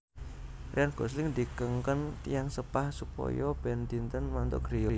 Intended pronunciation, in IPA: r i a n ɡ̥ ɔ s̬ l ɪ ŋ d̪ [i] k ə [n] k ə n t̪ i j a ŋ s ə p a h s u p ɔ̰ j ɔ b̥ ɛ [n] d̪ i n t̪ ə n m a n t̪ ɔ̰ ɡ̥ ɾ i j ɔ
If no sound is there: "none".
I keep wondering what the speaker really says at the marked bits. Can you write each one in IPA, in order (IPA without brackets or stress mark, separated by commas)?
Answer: i, ŋ, n